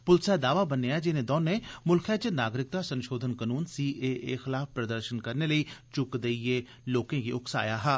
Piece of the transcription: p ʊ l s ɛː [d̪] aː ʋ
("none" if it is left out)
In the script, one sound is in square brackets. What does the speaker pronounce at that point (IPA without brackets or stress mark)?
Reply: d̪